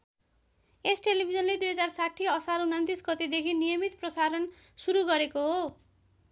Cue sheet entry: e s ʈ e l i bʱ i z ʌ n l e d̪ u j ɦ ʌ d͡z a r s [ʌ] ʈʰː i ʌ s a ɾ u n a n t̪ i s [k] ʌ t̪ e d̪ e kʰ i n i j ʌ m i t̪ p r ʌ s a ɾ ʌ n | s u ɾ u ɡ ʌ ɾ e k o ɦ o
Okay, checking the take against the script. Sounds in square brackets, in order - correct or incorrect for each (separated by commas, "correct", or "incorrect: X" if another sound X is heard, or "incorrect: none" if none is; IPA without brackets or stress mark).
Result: incorrect: a, incorrect: ɡ